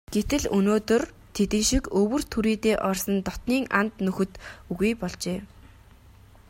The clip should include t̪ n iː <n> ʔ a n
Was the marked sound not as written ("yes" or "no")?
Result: yes